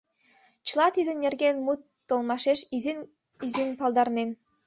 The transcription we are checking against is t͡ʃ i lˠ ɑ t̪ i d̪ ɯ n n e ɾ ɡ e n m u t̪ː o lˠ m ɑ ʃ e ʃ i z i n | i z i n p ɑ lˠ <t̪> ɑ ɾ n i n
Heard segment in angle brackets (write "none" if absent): d̪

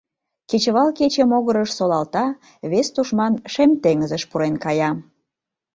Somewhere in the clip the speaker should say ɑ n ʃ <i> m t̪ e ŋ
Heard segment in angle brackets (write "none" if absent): e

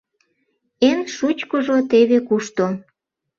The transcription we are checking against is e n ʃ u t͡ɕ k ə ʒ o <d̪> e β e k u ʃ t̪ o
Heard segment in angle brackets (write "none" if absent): t̪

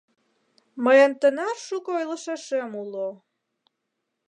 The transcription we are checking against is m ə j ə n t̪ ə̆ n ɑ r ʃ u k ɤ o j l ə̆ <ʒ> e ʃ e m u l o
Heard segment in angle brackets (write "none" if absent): ʃ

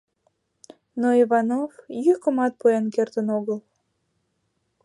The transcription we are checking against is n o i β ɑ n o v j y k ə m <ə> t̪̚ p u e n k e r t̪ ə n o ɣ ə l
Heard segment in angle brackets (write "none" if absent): ɑ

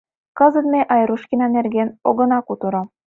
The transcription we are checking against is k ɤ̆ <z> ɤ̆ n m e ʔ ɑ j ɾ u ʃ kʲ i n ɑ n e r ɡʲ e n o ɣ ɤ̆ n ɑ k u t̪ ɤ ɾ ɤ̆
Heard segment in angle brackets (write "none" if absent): z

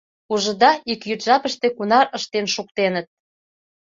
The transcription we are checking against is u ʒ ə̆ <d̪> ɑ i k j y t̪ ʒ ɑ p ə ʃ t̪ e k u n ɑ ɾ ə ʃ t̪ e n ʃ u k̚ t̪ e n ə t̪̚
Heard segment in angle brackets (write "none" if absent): d̪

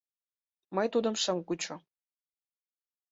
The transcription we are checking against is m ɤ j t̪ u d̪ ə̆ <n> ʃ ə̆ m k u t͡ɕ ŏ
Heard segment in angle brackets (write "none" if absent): m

